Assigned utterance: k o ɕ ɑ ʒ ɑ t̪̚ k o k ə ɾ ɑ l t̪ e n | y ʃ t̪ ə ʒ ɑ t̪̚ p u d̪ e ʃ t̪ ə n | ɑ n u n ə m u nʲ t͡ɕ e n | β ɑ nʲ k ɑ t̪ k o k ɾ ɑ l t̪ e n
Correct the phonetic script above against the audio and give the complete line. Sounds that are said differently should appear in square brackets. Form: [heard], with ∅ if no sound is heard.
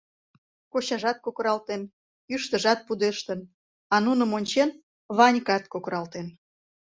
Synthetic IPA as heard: k o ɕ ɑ ʒ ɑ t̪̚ k o k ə ɾ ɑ l t̪ e n | y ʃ t̪ ə ʒ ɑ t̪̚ p u d̪ e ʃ t̪ ə n | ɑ n u n ə m [o] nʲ t͡ɕ e n | β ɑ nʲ k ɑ t̪ k o k ɾ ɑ l t̪ e n

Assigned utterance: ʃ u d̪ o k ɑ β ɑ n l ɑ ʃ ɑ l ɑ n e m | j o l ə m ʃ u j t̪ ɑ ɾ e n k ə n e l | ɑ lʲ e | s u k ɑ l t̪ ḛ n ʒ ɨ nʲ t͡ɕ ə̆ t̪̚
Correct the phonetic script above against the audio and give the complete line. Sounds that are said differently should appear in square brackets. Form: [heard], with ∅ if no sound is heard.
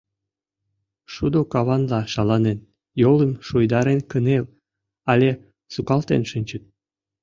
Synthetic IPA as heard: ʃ u d̪ o k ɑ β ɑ n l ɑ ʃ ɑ l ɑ n e [n] | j o l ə m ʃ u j [d̪] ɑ ɾ e n k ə n e l | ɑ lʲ e | s u k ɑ l t̪ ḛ n [ʃ] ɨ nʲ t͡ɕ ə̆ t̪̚

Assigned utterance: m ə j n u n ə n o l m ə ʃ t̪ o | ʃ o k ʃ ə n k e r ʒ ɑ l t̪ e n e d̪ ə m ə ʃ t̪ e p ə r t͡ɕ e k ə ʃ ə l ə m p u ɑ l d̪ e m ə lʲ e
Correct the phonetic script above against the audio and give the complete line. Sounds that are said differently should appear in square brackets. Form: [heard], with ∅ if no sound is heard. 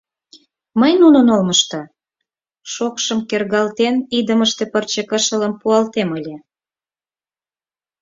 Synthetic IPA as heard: m ə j n u n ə n o l m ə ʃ t̪ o | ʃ o k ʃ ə [m] k e r [ɣ] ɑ l t̪ e n [i] d̪ ə m ə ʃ t̪ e p ə r t͡ɕ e k ə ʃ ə l ə m p u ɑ l [t̪] e m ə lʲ e

